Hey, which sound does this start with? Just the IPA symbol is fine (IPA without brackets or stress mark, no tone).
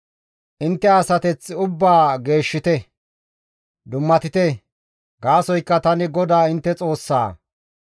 ʔ